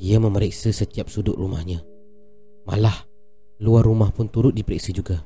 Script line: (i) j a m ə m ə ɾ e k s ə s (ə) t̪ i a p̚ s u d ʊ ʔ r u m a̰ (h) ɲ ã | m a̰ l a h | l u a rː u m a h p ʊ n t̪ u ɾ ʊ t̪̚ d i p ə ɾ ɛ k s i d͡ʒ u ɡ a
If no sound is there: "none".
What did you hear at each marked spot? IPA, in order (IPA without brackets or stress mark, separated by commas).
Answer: i, ə, h